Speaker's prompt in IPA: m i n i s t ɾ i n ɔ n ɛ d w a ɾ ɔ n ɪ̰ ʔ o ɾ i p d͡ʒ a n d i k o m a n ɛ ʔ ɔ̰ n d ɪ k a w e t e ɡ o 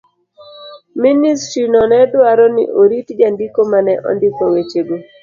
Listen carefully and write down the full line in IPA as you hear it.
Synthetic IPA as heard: m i n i s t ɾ i n ɔ n ɛ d w a ɾ ɔ n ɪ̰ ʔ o ɾ i t d͡ʒ a n d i k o m a n ɛ ʔ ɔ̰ n d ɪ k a w e t͡ʃ e ɡ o